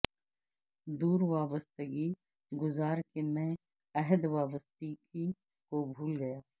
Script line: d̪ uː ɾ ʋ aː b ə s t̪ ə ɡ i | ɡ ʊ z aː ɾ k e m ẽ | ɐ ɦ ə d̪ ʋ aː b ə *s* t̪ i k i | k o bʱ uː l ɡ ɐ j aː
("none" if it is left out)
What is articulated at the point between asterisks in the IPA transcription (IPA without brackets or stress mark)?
s